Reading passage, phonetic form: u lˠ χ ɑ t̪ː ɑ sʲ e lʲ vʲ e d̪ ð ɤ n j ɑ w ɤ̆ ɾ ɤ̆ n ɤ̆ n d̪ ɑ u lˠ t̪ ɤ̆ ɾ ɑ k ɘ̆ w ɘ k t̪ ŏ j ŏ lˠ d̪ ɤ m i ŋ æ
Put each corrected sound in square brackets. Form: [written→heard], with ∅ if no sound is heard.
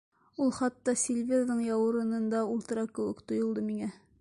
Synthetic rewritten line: u lˠ χ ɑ t̪ː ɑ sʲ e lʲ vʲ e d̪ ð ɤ [n→ɴ] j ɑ w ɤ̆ ɾ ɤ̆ n ɤ̆ n d̪ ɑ u lˠ t̪ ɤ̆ ɾ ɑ k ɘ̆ w ɘ k t̪ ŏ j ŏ lˠ d̪ ɤ m i ŋ æ